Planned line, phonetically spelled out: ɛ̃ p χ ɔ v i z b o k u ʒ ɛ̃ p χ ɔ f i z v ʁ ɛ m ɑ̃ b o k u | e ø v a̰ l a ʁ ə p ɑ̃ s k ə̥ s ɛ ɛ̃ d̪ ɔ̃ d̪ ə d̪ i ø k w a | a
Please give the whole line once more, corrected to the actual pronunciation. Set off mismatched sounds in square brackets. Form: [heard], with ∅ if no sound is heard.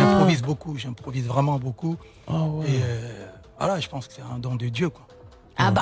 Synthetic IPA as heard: ɛ̃ p χ ɔ v i z b o k u ʒ ɛ̃ p χ ɔ [v] i z v ʁ ɛ m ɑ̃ b o k u | e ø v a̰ l a [ʒ] ə p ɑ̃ s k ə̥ s ɛ ɛ̃ d̪ ɔ̃ d̪ ə d̪ [j] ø k w a | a